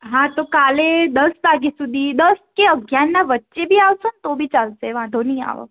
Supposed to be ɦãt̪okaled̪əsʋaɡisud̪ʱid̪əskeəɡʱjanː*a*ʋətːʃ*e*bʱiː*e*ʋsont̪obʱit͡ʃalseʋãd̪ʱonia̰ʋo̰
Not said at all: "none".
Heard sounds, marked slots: a, e, a

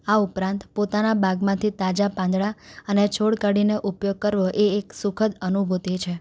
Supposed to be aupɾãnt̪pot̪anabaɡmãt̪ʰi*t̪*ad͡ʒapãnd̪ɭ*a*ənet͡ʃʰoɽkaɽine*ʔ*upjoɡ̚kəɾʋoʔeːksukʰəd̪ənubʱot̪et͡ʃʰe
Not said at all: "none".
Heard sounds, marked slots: t̪, a, ʔ

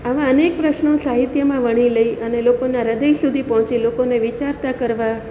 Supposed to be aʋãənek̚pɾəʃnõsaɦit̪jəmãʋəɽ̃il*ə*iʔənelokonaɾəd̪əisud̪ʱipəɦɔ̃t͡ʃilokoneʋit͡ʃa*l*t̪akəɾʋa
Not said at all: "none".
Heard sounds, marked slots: ə, ɾ

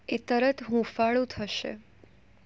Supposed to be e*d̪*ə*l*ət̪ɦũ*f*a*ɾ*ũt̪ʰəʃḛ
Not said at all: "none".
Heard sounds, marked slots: t̪, ɾ, f, ɭ

